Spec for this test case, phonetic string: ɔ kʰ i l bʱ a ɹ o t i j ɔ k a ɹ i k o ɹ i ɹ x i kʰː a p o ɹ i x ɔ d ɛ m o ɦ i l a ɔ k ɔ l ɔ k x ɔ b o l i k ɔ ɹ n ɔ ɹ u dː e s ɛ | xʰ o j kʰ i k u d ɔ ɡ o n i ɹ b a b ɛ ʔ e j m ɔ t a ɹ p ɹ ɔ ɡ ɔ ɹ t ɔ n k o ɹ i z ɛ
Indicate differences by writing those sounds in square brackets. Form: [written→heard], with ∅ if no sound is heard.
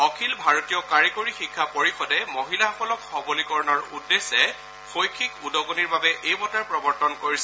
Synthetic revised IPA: ɔ kʰ i l bʱ a ɹ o t i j ɔ k a ɹ i k o ɹ i [ɹ→∅] x i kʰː a p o ɹ i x ɔ d ɛ m o ɦ i l a ɔ k ɔ l ɔ k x ɔ b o l i k ɔ ɹ n ɔ ɹ u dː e s ɛ | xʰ o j kʰ i k u d ɔ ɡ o n i ɹ b a b ɛ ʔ e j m ɔ t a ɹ p ɹ ɔ [ɡ→b] ɔ ɹ t ɔ n k o ɹ i [z→s] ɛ